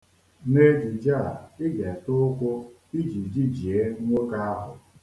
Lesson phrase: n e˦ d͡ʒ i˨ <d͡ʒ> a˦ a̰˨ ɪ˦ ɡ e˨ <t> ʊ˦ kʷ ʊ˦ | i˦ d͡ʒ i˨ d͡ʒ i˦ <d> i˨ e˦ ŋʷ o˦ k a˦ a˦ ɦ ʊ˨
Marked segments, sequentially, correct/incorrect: correct, correct, incorrect

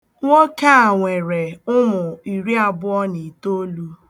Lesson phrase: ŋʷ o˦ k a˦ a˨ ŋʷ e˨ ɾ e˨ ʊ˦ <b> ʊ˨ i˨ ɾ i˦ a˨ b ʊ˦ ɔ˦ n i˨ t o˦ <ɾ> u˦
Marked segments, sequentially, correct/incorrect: incorrect, incorrect

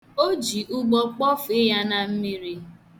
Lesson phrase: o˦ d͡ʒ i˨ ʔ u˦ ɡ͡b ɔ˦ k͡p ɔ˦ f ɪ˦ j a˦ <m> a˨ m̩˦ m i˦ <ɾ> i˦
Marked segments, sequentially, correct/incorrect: incorrect, correct

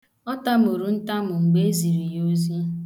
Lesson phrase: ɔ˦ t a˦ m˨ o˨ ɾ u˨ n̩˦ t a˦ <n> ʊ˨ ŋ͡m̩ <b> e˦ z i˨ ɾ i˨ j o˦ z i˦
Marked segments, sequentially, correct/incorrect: incorrect, incorrect

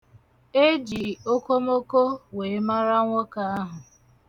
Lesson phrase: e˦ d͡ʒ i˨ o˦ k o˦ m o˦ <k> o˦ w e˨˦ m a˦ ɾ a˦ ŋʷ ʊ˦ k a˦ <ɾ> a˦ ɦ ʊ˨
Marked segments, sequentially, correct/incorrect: correct, incorrect

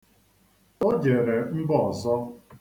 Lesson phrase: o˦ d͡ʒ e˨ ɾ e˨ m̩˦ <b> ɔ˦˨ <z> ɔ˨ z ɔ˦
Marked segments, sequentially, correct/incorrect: correct, incorrect

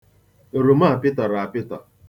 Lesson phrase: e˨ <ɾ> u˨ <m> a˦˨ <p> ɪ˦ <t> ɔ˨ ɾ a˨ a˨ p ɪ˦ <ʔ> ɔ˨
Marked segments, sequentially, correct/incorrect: correct, correct, correct, correct, incorrect

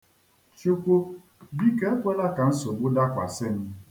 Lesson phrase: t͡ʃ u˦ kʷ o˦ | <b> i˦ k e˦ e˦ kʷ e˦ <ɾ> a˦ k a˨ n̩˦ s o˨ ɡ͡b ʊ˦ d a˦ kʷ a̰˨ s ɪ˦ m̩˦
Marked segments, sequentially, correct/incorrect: correct, incorrect

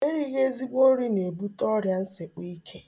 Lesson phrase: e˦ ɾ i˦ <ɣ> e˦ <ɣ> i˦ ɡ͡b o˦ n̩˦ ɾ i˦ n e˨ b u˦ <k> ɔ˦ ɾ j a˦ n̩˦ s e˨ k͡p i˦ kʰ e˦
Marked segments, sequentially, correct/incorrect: correct, incorrect, incorrect

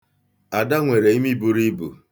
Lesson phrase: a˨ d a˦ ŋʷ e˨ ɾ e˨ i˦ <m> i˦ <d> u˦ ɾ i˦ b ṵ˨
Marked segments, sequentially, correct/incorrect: correct, incorrect

